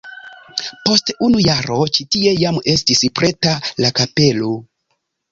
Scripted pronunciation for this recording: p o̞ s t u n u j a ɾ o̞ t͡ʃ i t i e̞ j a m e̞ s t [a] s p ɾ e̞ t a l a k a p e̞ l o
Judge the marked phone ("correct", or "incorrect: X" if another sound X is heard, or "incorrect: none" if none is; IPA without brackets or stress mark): incorrect: i